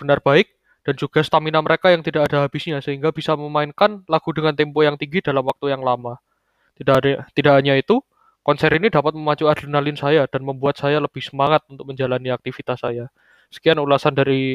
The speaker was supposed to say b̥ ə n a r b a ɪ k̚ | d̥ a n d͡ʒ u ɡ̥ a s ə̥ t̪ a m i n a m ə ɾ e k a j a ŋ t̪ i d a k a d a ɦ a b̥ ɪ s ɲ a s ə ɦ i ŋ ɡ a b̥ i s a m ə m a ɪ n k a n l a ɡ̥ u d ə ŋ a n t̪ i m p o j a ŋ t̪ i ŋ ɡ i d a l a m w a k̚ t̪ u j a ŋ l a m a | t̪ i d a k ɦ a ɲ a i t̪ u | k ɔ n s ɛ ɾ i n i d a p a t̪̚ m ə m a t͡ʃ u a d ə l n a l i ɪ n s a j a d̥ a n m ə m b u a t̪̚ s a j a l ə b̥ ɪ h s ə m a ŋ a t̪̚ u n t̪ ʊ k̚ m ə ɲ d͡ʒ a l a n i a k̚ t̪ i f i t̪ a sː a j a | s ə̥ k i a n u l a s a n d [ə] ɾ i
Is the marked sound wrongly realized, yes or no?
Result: yes